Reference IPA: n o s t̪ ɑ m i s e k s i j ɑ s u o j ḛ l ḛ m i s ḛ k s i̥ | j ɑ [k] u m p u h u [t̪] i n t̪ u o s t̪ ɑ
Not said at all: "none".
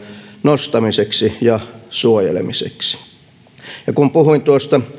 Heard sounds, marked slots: k, none

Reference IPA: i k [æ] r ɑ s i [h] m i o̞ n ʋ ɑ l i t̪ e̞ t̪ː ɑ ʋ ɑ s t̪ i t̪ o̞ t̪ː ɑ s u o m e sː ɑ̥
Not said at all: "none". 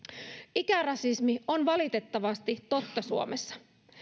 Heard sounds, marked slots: æ, s

